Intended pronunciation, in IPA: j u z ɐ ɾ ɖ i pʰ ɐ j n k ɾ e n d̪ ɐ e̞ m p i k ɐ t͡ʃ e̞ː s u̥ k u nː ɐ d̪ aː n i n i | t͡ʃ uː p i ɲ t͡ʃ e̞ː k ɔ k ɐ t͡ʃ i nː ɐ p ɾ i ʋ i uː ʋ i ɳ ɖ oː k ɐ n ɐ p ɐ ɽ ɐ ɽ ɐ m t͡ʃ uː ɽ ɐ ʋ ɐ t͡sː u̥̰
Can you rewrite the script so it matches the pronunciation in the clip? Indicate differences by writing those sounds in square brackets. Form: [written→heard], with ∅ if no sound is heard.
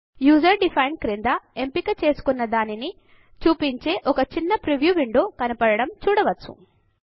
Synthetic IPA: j [u→uː] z ɐ ɾ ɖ i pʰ ɐ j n k ɾ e n d̪ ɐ e̞ m p i k ɐ t͡ʃ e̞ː s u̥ k u nː ɐ d̪ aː n i n i | t͡ʃ uː p i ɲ t͡ʃ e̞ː [k→ʔ] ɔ k ɐ t͡ʃ i nː ɐ p ɾ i ʋ [i→j] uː ʋ i ɳ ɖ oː k ɐ n ɐ p ɐ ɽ ɐ ɽ ɐ m t͡ʃ uː ɽ ɐ ʋ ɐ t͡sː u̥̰